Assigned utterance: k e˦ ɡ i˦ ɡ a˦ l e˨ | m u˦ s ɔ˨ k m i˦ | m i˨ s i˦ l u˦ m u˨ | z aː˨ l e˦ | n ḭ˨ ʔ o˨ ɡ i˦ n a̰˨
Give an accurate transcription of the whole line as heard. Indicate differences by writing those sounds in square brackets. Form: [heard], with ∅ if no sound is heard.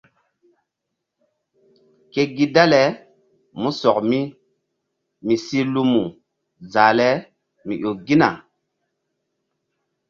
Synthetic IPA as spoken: k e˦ ɡ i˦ [d] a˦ l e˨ | m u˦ s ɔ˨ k m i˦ | m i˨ s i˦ l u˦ m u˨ | z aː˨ l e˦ | [m] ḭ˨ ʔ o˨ ɡ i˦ n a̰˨